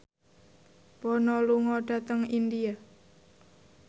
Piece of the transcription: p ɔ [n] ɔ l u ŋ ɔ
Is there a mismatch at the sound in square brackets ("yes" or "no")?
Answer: no